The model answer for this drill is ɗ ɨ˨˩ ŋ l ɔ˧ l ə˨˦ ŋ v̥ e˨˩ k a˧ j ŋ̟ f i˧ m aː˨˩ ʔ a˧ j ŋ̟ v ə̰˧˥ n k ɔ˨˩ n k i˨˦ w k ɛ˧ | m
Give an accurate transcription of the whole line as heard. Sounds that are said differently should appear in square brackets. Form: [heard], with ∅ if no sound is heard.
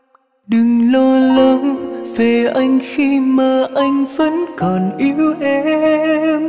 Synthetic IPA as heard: ɗ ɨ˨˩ ŋ l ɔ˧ l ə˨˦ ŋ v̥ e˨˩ [ʔ] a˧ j ŋ̟ [x] i˧ m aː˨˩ ʔ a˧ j ŋ̟ v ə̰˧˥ n k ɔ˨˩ n [ʔ] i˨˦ w [ʔ] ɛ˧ | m